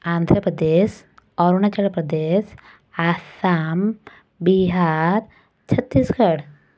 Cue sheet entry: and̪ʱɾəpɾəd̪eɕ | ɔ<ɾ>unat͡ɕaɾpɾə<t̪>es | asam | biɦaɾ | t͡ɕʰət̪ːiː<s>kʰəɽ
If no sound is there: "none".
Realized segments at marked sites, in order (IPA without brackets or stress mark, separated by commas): ɾ, d̪, s